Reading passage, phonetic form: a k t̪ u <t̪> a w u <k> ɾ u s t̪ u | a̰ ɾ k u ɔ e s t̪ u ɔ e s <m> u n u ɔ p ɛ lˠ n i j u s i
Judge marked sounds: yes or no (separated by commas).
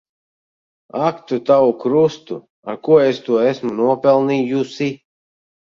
yes, yes, yes